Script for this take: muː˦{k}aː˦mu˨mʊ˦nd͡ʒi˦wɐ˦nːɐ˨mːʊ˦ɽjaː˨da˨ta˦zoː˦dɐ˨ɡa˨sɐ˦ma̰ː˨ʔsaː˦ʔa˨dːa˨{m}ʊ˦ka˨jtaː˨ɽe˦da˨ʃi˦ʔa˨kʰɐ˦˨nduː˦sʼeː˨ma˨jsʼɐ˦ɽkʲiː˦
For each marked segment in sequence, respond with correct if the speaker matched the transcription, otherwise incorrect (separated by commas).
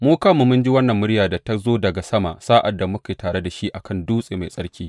correct, correct